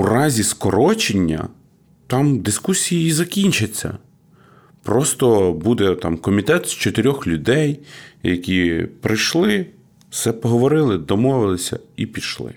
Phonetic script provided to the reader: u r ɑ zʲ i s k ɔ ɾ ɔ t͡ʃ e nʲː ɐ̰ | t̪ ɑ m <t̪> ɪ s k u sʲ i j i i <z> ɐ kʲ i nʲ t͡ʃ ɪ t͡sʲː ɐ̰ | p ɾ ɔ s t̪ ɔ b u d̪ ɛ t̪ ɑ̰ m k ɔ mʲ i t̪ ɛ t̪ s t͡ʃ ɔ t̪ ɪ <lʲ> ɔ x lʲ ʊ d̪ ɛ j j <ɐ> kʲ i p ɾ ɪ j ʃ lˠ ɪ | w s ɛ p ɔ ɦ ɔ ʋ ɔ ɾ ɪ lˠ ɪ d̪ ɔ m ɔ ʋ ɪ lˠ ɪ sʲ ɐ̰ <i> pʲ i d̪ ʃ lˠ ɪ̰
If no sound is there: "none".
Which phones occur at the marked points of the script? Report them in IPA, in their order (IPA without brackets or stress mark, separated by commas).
d̪, z, ɾʲ, ɐ, i